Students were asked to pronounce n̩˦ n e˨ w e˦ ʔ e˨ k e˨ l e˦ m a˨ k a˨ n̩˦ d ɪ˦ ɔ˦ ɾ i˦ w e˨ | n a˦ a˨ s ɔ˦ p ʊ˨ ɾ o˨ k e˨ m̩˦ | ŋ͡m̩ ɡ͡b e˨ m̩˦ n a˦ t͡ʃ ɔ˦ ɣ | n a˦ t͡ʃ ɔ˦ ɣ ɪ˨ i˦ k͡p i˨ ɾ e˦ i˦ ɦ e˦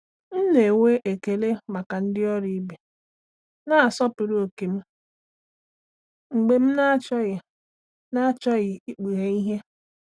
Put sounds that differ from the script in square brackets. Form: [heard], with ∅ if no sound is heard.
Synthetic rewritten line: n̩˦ n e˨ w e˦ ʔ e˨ k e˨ l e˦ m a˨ k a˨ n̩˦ d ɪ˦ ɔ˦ ɾ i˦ [b] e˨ | n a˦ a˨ s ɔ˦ p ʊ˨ ɾ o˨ k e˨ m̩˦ | ŋ͡m̩ ɡ͡b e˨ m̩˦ n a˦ t͡ʃ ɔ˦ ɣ | n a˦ t͡ʃ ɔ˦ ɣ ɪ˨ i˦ k͡p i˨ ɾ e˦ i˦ ɦ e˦